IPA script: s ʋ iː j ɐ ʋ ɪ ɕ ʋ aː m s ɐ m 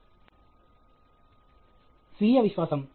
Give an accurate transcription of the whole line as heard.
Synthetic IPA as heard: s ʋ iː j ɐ ʋ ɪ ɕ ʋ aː s ɐ m

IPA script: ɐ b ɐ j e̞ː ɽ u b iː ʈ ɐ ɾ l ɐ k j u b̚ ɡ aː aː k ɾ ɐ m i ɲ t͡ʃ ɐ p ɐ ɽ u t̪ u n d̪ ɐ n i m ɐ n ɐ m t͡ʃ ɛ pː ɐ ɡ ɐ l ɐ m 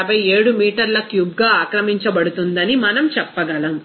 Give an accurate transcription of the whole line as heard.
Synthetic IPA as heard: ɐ b ɐ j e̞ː ɽ u m iː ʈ ɐ ɾ l ɐ k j u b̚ ɡ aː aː k ɾ ɐ m i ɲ t͡ʃ ɐ b ɐ ɽ u t̪ u n d̪ ɐ n i m ɐ n ɐ m t͡ʃ ɛ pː ɐ ɡ ɐ l ɐ m

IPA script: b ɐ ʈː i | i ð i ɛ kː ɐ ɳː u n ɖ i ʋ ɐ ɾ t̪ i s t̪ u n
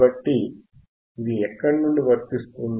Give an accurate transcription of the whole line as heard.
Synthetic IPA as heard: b ɐ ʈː i | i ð i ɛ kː ɐ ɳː u ɳ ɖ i ʋ ɐ ɾ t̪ i s t̪ u n

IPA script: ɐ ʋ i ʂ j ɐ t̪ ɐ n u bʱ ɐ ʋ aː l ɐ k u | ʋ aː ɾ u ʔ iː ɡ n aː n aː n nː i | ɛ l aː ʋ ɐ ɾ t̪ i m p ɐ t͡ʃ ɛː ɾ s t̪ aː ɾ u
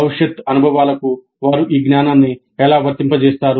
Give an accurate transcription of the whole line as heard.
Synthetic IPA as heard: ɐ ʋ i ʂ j ɐ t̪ ɐ n u bʱ ɐ ʋ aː l ɐ k u | ʋ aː ɾ u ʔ iː ɡ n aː n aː n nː i | ɛ l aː ʋ ɐ ɾ t̪ i m p ɐ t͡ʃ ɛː s t̪ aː ɾ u

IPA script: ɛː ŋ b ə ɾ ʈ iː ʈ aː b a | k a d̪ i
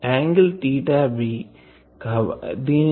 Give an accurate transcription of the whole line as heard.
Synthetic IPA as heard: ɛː ŋ ɡ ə l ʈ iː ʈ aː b i | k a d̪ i

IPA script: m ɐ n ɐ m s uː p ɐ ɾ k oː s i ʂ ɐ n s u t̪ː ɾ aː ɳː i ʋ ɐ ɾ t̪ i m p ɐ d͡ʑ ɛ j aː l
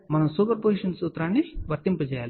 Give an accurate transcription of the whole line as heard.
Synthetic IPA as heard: m ɐ n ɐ m s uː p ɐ ɾ p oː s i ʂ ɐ n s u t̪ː ɾ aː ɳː i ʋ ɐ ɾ t̪ i m p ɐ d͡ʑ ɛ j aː l

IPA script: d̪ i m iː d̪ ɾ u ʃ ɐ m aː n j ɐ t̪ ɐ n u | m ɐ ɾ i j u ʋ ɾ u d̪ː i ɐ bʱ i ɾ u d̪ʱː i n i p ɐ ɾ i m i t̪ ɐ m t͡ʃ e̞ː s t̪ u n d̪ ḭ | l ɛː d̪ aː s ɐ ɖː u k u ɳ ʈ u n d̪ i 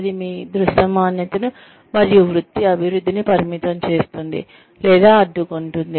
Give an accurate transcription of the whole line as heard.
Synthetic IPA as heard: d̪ i m iː d̪ ɾ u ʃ ɐ m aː n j ɐ t̪ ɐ n u | m ɐ ɾ i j u ʋ ɾ u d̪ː i ɐ bʱ i ɾ u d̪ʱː i n i p ɐ ɾ i m i t̪ ɐ m t͡ʃ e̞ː s t̪ u n d̪ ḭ | l ɛː d̪ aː ɐ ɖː u k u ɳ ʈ u n d̪ i

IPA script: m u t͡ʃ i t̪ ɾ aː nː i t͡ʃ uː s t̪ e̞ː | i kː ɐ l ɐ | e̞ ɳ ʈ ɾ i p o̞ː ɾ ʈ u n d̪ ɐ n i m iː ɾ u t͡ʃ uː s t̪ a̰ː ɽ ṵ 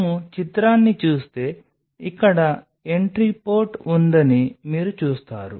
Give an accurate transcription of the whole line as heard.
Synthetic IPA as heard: m u t͡ʃ i t̪ ɾ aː nː i t͡ʃ uː s t̪ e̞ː | i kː ɐ ɽ ɐ | e̞ ɳ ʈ ɾ i p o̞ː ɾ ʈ u n d̪ ɐ n i m iː ɾ u t͡ʃ uː s t̪ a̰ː ɾ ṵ

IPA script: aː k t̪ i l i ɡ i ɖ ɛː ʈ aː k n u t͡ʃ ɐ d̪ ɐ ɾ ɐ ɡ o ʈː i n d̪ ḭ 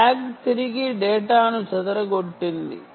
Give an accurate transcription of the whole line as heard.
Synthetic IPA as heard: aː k t̪ i ɾ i ɡ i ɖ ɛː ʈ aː n u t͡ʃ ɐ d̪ ɐ ɾ ɐ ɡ o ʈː i n d̪ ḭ

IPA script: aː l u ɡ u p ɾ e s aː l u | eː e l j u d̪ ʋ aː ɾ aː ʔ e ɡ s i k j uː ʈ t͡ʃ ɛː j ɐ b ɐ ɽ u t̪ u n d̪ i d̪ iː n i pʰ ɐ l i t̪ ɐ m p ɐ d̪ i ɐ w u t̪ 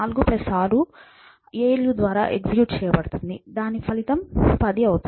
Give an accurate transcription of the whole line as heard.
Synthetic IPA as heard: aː l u ɡ u p ɾ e s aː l u | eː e l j u d̪ ʋ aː ɾ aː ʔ e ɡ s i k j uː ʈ t͡ʃ ɛː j ɐ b ɐ ɽ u t̪ u n d̪ i d̪ aː n i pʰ ɐ l i t̪ ɐ m p ɐ d̪ i ɐ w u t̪

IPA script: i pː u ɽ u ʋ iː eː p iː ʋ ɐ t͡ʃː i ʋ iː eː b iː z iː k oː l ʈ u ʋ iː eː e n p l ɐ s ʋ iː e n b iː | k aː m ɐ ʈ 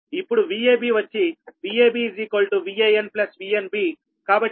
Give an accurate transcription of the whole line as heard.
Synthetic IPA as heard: i pː u ɽ u ʋ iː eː b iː ʋ ɐ t͡ʃː i ʋ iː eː b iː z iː k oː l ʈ u ʋ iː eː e n p l ɐ s ʋ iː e n b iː | k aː b ɐ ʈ

